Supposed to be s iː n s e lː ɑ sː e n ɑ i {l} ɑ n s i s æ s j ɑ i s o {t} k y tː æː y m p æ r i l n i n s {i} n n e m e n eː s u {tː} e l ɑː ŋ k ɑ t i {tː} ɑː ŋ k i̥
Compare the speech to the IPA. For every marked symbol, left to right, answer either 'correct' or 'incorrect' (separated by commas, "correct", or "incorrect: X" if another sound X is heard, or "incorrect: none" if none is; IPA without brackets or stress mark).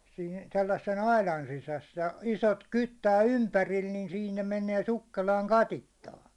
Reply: correct, correct, incorrect: iː, incorrect: kː, correct